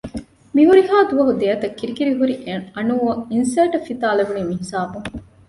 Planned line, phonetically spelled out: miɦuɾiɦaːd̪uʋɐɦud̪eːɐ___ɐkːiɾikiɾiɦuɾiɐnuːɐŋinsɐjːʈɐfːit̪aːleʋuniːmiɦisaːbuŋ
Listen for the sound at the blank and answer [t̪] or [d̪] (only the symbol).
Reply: t̪